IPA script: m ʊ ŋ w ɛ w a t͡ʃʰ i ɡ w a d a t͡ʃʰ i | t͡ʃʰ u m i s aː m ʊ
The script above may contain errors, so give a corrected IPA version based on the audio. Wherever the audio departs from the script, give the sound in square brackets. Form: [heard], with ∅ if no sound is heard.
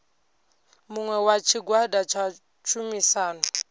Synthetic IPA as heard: m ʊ ŋ w ɛ w a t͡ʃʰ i ɡ w a d a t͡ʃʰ [a] | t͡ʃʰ u m i s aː [n] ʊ